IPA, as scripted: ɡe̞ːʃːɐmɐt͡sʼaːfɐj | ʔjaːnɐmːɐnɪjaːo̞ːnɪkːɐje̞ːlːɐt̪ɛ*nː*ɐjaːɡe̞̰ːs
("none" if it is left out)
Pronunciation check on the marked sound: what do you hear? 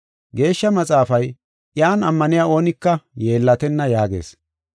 nː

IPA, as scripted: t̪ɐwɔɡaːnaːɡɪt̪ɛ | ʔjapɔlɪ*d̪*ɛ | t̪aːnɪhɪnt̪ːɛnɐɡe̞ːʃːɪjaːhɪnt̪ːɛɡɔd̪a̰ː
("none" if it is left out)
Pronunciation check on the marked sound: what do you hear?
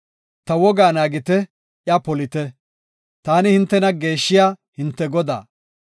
t̪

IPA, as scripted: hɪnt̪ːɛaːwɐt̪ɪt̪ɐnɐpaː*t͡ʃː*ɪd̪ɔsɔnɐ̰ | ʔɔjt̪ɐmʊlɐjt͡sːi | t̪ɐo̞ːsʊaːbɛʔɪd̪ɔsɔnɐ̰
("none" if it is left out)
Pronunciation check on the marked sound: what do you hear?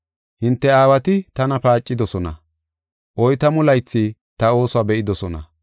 t͡ʃʼː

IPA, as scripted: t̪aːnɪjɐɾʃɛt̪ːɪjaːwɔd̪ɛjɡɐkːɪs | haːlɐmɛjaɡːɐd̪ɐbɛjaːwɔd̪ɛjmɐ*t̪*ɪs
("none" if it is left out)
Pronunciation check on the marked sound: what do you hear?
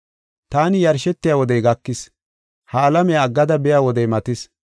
t̪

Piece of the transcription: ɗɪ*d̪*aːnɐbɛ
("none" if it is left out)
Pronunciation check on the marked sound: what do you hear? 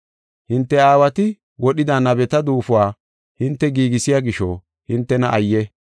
d̪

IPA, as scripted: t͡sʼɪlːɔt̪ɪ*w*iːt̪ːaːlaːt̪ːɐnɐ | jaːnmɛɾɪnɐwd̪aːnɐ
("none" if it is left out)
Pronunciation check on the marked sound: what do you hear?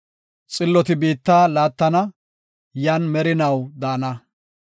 b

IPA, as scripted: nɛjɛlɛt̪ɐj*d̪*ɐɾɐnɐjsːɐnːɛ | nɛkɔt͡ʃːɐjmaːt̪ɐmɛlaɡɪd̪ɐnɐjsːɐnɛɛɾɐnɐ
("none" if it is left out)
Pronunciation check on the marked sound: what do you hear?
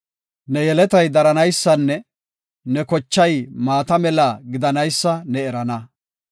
d̪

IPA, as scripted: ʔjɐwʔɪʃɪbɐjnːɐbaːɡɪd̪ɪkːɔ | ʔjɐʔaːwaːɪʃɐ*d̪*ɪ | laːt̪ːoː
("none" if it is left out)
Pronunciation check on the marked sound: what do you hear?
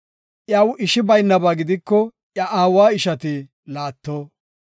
t̪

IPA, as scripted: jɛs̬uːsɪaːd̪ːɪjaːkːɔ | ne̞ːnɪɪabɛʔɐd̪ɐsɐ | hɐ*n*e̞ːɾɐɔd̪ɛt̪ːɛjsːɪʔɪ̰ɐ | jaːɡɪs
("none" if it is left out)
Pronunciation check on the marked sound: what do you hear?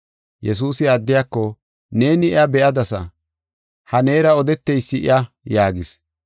n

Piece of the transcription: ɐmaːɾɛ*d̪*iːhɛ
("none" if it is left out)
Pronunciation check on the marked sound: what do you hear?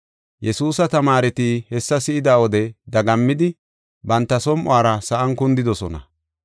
t̪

